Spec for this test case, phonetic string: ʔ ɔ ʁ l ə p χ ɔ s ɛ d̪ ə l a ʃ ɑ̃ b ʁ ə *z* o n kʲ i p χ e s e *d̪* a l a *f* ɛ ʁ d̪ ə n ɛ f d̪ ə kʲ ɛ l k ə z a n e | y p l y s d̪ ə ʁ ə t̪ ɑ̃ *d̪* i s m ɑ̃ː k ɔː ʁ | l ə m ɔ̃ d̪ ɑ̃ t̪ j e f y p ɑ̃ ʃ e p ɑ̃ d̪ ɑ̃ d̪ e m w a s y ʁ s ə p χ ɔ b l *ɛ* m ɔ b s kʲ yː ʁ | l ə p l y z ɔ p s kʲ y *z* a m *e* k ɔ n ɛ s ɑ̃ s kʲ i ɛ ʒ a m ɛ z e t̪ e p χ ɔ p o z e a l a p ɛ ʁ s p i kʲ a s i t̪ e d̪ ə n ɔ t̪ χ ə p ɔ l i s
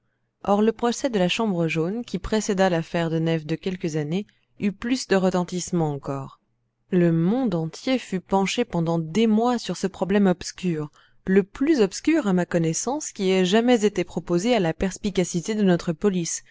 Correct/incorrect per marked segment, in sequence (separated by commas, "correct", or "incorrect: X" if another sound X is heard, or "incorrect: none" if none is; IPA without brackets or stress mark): incorrect: ʒ, correct, correct, incorrect: t̪, correct, incorrect: ʁ, incorrect: a